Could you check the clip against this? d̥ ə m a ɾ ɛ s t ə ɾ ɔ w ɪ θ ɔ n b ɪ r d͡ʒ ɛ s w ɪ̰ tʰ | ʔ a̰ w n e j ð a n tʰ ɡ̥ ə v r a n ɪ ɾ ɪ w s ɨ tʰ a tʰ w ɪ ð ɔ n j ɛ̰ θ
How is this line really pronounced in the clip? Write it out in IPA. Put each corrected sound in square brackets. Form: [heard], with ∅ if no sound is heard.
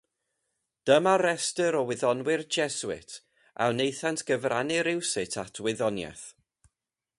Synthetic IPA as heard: d̥ ə m a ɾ ɛ s t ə ɾ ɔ w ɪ [ð] ɔ n [w] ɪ r d͡ʒ ɛ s w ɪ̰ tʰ | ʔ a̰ w n e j [θ] a n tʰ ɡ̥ ə v r a n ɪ ɾ ɪ w s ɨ tʰ a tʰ w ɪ ð ɔ n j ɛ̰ θ

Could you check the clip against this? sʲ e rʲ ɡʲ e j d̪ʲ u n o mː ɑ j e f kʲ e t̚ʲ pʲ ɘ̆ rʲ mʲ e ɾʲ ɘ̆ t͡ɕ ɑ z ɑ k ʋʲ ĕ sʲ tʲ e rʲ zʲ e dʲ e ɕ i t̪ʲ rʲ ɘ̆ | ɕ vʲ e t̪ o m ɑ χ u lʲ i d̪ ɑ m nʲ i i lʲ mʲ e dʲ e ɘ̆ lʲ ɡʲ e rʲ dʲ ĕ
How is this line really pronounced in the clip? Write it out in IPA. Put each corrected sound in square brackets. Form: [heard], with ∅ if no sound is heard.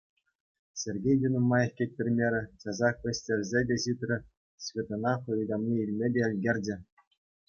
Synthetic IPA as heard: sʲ e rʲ ɡʲ e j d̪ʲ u n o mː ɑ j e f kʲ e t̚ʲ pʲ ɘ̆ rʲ mʲ e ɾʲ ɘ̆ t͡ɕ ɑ z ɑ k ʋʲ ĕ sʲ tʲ e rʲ zʲ e dʲ e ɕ i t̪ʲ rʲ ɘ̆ | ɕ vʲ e t̪ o [n] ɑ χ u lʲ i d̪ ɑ m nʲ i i lʲ mʲ e dʲ e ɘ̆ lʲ ɡʲ e rʲ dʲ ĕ

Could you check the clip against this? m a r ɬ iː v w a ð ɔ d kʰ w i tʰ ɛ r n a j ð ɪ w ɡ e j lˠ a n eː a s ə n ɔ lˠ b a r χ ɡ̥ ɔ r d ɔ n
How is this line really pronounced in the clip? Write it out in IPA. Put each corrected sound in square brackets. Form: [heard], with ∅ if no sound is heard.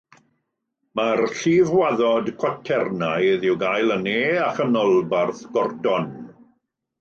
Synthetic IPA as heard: m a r ɬ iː v w a ð ɔ d kʰ w [a] tʰ ɛ r n a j ð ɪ w ɡ [a] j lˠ [ə] n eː a [χ] ə n ɔ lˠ b a r [θ] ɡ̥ ɔ r d ɔ n

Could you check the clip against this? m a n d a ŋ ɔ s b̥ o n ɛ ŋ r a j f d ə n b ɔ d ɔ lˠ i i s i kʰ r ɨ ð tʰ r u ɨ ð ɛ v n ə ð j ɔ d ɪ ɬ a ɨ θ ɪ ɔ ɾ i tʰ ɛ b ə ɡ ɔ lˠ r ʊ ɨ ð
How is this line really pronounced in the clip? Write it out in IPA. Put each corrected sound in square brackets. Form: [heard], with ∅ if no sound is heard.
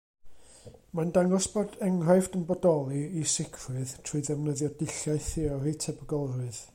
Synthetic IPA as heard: m a n d a ŋ ɔ s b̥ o [d] ɛ ŋ r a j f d ə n b ɔ d ɔ lˠ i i s [ɪ] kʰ r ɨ ð tʰ r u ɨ ð ɛ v n ə ð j ɔ d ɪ ɬ a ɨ θ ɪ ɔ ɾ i tʰ ɛ b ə ɡ ɔ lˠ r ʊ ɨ ð

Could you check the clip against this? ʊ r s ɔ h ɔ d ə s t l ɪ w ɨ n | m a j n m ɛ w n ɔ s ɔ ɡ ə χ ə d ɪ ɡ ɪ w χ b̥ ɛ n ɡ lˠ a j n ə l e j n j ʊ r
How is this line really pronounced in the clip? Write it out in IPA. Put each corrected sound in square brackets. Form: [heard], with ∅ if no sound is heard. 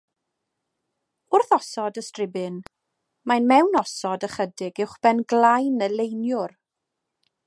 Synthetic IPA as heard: ʊ r [θ] ɔ [s] ɔ d ə s t [r] ɪ [b] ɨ n | m a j n m ɛ w n ɔ s ɔ [d] ə χ ə d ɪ ɡ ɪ w χ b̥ ɛ n ɡ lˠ a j n ə l e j n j ʊ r

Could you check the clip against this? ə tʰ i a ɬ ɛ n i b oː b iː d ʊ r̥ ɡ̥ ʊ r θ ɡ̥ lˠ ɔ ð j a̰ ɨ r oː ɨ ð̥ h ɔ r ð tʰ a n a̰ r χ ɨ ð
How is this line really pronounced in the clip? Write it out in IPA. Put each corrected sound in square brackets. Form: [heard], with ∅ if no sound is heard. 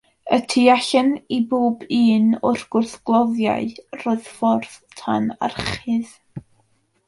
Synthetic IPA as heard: ə tʰ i a ɬ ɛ n i b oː b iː [n] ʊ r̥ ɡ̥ ʊ r θ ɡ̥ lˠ ɔ ð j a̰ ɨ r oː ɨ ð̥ [f] ɔ r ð tʰ a n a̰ r χ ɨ ð

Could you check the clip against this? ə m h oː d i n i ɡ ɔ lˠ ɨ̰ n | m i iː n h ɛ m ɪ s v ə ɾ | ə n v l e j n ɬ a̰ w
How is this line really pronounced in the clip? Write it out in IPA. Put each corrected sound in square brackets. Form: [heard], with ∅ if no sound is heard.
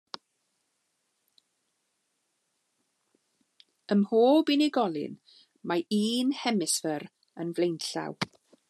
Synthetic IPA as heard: ə m h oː [b] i n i ɡ ɔ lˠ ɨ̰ n | m [a] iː n h ɛ m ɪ s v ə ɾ | ə n v l e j n ɬ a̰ w

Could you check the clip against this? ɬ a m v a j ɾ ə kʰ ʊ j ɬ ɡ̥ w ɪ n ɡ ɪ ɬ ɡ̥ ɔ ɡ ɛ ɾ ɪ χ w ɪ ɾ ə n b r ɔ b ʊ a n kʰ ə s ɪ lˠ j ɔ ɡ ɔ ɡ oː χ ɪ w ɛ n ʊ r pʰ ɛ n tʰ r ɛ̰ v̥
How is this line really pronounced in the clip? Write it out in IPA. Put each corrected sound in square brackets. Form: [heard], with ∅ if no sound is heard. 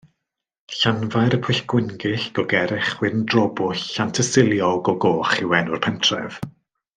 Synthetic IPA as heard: ɬ a [n] v a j ɾ ə [pʰ] ʊ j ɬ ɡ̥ w ɪ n ɡ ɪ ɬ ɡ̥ ɔ ɡ ɛ ɾ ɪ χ w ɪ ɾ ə n [d] r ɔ b ʊ a n [tʰ] ə s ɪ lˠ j ɔ ɡ ɔ ɡ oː χ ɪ w ɛ n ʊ r pʰ ɛ n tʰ r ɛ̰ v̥

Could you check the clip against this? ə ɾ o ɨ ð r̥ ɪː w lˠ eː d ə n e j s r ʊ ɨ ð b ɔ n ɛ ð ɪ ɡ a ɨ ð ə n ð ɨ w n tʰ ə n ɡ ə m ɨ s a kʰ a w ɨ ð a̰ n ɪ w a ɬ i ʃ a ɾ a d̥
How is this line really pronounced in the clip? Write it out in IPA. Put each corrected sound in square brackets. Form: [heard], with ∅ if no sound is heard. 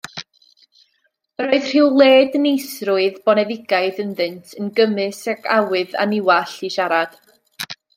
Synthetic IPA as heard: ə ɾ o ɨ ð r̥ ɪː w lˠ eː d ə n e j s r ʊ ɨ ð b ɔ n ɛ ð ɪ ɡ a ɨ ð ə n ð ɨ [∅] n tʰ ə n ɡ ə m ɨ s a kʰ a w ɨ ð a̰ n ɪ w a ɬ i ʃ a ɾ a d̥

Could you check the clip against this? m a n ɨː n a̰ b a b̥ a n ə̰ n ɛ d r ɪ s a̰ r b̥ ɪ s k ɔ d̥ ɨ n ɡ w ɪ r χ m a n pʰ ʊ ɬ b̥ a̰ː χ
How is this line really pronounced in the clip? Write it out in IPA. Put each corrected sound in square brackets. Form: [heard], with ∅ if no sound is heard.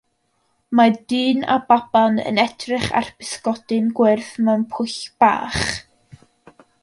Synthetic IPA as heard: m a [d] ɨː n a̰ b a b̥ a n ə̰ n ɛ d r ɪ [χ] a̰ r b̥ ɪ s k ɔ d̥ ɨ n ɡ w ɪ r [θ] m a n pʰ ʊ ɬ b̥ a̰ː χ

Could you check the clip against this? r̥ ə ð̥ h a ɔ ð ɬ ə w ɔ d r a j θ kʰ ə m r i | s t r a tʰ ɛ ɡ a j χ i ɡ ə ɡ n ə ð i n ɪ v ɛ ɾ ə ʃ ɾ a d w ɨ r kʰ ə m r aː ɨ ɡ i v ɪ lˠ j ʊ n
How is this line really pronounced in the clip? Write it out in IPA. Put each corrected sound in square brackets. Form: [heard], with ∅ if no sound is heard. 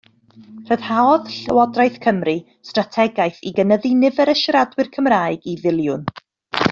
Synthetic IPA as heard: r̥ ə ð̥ h a ɔ ð ɬ ə w ɔ d r a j θ kʰ ə m r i | s t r a tʰ ɛ ɡ a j [θ] i ɡ ə [∅] n ə ð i n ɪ v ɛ ɾ ə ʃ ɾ a d w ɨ r kʰ ə m r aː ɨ ɡ i v ɪ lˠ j ʊ n

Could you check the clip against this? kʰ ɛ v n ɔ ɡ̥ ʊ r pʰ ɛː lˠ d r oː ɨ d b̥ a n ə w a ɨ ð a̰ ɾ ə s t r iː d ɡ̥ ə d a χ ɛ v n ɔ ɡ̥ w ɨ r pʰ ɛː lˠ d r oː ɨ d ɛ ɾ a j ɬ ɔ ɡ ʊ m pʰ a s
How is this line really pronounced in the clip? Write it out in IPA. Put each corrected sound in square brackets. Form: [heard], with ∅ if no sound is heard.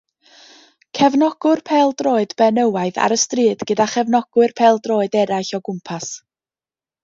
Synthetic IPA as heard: kʰ ɛ v n ɔ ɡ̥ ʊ r pʰ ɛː lˠ d r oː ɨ d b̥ [ɛ] n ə w a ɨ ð a̰ ɾ ə s t r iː d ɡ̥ ə d a χ ɛ v n ɔ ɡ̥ w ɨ r pʰ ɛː lˠ d r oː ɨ d ɛ ɾ a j ɬ ɔ ɡ ʊ m pʰ a s

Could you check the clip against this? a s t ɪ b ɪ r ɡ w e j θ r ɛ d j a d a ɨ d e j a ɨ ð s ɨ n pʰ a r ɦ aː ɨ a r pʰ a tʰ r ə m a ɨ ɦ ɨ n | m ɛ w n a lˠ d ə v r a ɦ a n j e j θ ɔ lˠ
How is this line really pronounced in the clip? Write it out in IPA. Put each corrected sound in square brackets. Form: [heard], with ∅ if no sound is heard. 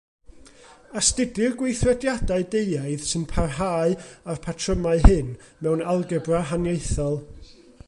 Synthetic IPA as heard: a s t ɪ [d] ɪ r ɡ w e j θ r ɛ d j a d a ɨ d e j a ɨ ð s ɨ n pʰ a r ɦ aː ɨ a r pʰ a tʰ r ə m a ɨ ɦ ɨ n | m ɛ w n a lˠ [ɡ] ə [b] r a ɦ a n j e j θ ɔ lˠ

